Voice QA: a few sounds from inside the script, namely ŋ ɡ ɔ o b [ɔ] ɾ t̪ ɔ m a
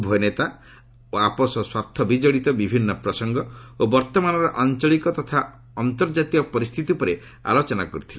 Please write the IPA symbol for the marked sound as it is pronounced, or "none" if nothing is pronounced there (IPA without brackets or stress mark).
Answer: ɔ